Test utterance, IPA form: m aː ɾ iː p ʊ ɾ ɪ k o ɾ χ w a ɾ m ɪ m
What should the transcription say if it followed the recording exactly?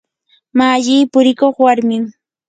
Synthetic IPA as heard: m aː ʎ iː p ʊ ɾ ɪ k o χ w a ɾ m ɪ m